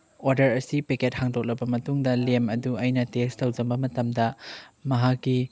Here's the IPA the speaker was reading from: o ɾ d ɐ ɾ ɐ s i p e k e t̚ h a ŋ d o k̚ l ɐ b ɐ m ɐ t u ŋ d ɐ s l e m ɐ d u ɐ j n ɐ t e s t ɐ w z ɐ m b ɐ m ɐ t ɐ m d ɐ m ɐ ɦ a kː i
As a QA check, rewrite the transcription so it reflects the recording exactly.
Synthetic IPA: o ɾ d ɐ ɾ ɐ s i p e k e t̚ h a ŋ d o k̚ l ɐ b ɐ m ɐ t u ŋ d ɐ l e m ɐ d u ɐ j n ɐ t e s t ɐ w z ɐ m b ɐ m ɐ t ɐ m d ɐ m ɐ ɦ a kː i